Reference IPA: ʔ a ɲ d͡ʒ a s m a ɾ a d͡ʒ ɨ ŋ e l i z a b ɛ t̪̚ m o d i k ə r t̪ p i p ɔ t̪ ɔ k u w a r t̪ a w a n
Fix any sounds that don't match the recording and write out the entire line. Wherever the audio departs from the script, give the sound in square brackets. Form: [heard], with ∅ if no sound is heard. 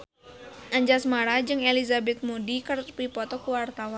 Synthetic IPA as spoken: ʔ a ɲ d͡ʒ a s m a ɾ a d͡ʒ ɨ ŋ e l i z a b ɛ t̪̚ m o d i k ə r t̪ p i p ɔ t̪ ɔ k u w a r t̪ a w a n